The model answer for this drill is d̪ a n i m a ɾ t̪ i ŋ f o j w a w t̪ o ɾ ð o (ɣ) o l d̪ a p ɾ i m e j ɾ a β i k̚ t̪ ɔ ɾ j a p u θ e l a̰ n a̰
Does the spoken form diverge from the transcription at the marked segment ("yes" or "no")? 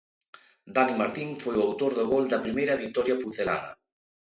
no